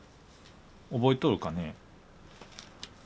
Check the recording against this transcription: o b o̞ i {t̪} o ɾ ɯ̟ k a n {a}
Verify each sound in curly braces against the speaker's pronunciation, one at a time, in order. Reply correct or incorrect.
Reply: correct, incorrect: e

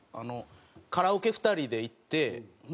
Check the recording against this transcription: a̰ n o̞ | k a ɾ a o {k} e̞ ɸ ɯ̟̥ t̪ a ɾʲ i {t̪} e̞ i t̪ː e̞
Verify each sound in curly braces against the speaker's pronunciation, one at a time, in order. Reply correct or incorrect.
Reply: correct, incorrect: d̪

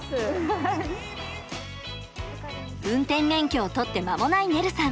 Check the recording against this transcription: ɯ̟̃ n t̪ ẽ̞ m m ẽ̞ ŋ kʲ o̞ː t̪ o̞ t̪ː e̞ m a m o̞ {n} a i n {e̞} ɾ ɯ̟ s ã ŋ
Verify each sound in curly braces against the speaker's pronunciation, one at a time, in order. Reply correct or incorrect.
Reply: correct, correct

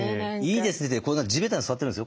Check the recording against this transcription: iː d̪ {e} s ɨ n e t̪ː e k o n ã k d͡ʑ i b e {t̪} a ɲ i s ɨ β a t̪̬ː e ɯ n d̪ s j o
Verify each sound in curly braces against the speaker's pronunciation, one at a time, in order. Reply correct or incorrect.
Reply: correct, correct

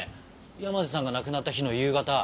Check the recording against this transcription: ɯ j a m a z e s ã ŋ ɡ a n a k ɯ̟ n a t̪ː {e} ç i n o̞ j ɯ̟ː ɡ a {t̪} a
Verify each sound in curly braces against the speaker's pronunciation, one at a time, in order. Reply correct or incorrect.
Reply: incorrect: a, correct

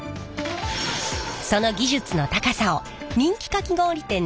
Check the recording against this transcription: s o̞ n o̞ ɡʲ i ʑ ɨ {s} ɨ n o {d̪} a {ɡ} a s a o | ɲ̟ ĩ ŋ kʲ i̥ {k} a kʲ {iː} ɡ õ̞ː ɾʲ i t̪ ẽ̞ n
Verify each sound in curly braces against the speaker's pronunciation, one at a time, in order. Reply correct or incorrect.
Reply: incorrect: t͡s, incorrect: t̪, incorrect: k, correct, incorrect: i

